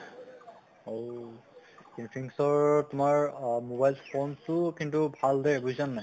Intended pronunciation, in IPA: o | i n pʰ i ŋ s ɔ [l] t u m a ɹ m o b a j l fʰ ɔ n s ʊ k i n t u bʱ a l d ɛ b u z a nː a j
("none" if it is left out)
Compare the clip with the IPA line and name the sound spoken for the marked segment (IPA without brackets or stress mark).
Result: ɹ